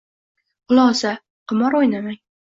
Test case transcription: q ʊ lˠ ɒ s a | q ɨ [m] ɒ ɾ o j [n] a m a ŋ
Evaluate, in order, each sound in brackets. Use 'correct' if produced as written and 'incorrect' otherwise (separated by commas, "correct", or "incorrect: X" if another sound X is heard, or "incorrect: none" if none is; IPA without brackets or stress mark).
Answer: correct, correct